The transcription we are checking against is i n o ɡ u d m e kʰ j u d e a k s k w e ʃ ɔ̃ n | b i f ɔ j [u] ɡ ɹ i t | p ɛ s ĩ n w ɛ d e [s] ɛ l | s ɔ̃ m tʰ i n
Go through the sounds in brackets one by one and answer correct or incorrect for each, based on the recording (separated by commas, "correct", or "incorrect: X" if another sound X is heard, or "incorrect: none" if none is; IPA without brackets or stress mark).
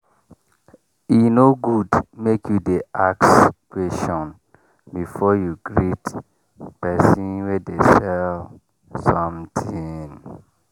correct, correct